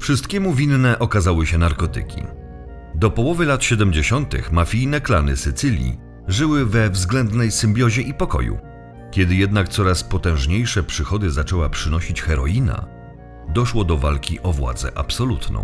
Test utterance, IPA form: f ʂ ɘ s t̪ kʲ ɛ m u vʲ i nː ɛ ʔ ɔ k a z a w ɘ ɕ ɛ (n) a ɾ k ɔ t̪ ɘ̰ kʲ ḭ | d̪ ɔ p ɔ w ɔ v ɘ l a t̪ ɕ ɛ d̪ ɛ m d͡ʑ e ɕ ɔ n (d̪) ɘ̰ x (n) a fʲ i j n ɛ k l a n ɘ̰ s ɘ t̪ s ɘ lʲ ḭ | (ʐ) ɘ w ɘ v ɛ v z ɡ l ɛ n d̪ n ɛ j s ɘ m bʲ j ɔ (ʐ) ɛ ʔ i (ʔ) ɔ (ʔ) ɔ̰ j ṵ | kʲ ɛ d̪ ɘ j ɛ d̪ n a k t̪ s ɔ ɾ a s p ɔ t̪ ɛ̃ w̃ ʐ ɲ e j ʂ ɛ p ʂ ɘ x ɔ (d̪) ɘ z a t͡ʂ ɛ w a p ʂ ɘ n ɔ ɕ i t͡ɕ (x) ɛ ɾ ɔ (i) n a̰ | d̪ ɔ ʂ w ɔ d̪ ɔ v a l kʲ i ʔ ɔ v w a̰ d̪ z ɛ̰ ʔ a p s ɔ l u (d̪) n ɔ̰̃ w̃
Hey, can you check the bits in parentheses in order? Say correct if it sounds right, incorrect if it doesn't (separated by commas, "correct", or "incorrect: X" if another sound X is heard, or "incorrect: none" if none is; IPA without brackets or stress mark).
correct, incorrect: t̪, incorrect: m, correct, incorrect: ʑ, incorrect: p, incorrect: k, correct, correct, correct, incorrect: t̪